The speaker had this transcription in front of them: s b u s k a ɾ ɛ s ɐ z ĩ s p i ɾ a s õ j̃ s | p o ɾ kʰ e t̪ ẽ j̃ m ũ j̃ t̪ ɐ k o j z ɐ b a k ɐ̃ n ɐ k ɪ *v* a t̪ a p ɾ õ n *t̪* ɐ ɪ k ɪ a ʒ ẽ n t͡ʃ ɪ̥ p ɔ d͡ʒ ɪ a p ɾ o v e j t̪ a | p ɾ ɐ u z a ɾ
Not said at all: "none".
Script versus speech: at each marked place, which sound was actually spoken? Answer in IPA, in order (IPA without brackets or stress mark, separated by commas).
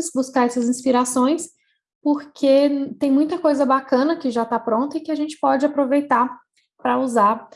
ʒ, t̪